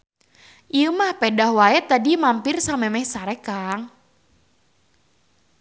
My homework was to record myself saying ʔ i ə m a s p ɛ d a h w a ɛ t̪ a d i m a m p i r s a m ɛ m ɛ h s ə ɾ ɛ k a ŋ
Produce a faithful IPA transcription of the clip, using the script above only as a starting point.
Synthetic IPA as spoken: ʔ i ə m a h p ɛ d a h w a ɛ t̪ a d i m a m p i r s a m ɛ m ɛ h s a ɾ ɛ k a ŋ